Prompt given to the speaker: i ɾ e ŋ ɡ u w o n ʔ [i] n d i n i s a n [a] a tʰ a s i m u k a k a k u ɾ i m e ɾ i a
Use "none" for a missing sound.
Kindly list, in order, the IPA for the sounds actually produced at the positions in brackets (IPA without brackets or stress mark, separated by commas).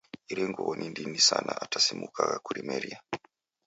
i, a